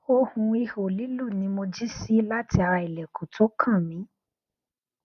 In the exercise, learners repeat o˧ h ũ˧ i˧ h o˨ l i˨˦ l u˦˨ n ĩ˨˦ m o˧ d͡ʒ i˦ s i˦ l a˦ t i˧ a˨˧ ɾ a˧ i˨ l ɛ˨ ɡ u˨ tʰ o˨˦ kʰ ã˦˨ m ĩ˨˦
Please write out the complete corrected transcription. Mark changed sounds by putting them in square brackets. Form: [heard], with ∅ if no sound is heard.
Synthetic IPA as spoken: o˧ h ũ˧ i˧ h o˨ l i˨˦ l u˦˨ n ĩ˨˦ m o˧ d͡ʒ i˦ s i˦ l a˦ t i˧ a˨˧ ɾ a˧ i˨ l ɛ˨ [k] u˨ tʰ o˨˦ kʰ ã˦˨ m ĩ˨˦